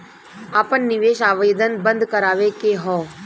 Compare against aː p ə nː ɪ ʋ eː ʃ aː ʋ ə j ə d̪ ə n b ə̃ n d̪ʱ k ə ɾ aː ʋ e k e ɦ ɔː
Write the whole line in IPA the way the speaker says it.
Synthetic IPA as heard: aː p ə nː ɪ ʋ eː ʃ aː ʋ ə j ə d̪ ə n b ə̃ n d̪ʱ k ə ɾ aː ʋ e k e ɦ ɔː